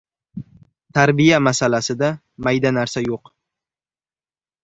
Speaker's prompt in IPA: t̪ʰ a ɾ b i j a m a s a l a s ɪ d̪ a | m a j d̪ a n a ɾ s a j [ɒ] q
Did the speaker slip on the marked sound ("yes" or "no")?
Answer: yes